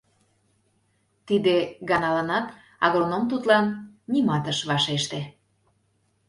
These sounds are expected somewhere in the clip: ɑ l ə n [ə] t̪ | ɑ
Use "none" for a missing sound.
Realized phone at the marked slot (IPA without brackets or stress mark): ɑ